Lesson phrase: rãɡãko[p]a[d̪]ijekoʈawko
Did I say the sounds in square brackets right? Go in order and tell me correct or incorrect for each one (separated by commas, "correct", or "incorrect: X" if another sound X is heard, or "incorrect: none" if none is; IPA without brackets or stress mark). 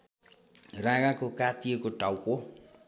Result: incorrect: k, incorrect: t̪